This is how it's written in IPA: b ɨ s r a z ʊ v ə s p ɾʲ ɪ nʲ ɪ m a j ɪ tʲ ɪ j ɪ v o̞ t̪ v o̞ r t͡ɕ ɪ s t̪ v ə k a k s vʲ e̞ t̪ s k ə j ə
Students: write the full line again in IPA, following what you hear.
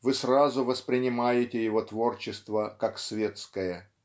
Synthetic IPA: v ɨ s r a z ʊ v ə s p ɾʲ ɪ nʲ ɪ m a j ɪ tʲ ɪ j ɪ v o̞ t̪ v o̞ r t͡ɕ ɪ s t̪ v ə k a k s vʲ e̞ t̪ s k ə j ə

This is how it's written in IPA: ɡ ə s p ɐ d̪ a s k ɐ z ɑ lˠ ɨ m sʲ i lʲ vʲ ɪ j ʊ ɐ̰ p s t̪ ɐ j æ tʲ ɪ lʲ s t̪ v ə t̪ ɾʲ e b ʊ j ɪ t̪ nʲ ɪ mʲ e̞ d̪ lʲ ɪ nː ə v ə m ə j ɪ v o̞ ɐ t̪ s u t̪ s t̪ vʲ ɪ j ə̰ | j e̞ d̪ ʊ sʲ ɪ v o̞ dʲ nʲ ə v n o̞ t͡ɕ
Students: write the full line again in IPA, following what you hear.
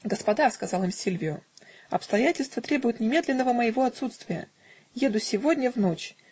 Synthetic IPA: ɡ ə s p ɐ d̪ a s k ɐ z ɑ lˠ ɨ m sʲ i lʲ vʲ ɪ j ʊ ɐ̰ p s t̪ ɐ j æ tʲ ɪ lʲ s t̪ v ə t̪ ɾʲ e b ʊ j ɪ t̪ nʲ ɪ mʲ e̞ d̪ lʲ ɪ nː ə v ə m ə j ɪ v o̞ ɐ t̪ s u t̪ s t̪ vʲ ɪ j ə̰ | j e̞ d̪ ʊ sʲ ɪ v o̞ dʲ nʲ ə v n o̞ t͡ɕ

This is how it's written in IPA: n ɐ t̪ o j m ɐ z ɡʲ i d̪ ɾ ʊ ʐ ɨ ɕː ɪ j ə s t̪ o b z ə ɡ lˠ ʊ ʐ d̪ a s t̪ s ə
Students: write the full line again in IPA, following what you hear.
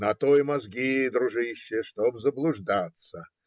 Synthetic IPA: n ɐ t̪ o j m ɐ z ɡʲ i d̪ ɾ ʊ ʐ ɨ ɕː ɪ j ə ʂ t̪ o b z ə b lˠ ʊ ʐ d̪ a t̪ s ə

